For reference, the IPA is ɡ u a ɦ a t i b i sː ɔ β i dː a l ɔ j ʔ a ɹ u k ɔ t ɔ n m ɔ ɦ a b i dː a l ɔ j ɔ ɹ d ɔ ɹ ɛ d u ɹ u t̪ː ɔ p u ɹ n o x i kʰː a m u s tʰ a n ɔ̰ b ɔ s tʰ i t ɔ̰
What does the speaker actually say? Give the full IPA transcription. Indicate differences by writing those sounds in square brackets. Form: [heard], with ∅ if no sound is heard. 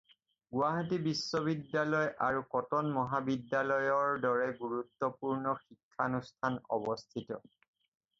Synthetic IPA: ɡ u a ɦ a t i b i sː ɔ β i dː a l ɔ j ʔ a ɹ u k ɔ t ɔ n m ɔ ɦ a b i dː a l ɔ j ɔ ɹ d ɔ ɹ ɛ [ɡ] u ɹ u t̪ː ɔ p u ɹ n [ɔ] x i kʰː a [n] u s tʰ a n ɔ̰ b ɔ s tʰ i t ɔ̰

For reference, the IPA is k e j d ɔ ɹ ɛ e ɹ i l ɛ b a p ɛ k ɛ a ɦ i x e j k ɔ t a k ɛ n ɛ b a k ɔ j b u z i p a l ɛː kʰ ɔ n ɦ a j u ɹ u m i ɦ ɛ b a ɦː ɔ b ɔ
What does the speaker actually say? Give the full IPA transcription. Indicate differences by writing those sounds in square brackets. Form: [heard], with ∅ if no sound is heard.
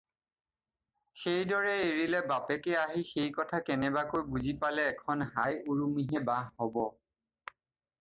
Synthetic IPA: [x] e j d ɔ ɹ ɛ e ɹ i l ɛ b a p ɛ k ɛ a ɦ i x e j k ɔ [tʰ] a k ɛ n ɛ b a k [o] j b u z i p a l ɛː kʰ ɔ n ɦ a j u ɹ u m i ɦ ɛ b a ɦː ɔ b ɔ

